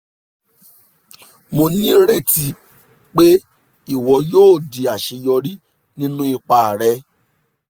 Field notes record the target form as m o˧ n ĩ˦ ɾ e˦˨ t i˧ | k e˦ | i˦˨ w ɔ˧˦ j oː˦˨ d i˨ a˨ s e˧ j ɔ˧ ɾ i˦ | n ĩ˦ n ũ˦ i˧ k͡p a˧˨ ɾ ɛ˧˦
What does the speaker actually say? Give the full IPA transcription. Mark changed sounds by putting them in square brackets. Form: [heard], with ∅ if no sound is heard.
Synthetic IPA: m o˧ n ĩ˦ ɾ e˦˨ t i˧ | [k͡p] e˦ | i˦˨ w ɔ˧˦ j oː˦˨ d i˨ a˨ [ʃ] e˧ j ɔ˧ ɾ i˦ | n ĩ˦ n ũ˦ i˧ k͡p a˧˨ ɾ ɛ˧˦